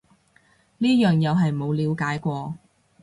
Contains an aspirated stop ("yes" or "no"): no